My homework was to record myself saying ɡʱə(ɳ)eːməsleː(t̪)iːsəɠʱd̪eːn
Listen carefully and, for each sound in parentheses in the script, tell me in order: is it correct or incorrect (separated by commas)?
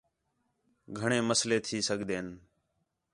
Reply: correct, incorrect